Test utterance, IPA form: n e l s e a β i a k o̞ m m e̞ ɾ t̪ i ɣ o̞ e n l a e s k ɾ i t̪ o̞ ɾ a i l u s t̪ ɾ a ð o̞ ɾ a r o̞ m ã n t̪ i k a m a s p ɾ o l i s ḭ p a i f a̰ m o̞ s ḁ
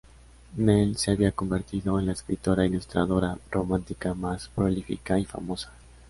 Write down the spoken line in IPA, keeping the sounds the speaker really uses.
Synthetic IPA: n e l s e a β i a k o̞ m b e̞ ɾ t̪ i ð o̞ e n l a e s k ɾ i t̪ o̞ ɾ a i l u s t̪ ɾ a ð o̞ ɾ a r o̞ m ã n t̪ i k a m a s p ɾ o l i f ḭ k a i f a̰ m o̞ s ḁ